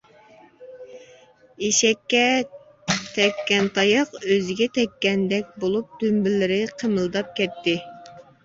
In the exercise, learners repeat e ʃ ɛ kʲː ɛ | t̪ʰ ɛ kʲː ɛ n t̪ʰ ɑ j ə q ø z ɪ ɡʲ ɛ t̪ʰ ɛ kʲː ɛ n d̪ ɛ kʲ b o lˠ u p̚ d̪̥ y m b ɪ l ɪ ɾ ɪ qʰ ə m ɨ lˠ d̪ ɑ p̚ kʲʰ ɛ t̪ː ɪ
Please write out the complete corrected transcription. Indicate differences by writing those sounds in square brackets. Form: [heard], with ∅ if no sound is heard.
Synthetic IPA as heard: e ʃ ɛ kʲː ɛ | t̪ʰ ɛ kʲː ɛ n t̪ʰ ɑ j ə q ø z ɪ ɡʲ ɛ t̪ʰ ɛ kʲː ɛ n d̪ ɛ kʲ b o lˠ u p̚ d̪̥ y m b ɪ l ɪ ɾ ɪ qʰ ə m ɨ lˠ d̪ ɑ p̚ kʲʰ ɛ t̪ː ɪ